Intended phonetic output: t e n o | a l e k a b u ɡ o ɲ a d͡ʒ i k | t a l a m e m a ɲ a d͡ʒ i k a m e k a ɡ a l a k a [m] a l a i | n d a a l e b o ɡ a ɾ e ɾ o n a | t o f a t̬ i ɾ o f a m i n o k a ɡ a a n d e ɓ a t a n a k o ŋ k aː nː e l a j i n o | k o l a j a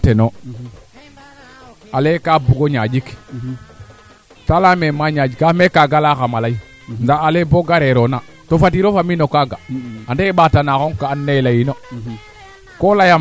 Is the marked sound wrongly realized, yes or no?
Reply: no